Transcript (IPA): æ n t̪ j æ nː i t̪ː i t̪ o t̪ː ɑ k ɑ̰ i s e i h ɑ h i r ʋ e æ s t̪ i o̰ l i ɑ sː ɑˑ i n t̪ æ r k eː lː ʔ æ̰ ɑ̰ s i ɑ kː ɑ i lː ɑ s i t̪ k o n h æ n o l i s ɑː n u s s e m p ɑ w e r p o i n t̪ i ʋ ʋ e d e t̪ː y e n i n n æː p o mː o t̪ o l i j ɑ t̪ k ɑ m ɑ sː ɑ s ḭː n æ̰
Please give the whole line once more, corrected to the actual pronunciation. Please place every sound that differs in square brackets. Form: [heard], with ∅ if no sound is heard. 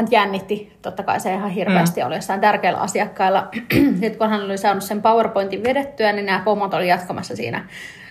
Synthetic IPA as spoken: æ n t̪ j æ nː i t̪ː i t̪ o t̪ː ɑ k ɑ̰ i s e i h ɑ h i r ʋ e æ s t̪ i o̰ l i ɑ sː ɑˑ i n t̪ æ r k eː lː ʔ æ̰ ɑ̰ s i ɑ kː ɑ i lː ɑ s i t̪ k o n h æ n o l i s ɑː n u s s e m p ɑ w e r p o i n t̪ i ʋ ʋ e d e t̪ː y [æ] n i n n æː p o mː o t̪ o l i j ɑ t̪ k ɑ m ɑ sː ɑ s ḭː n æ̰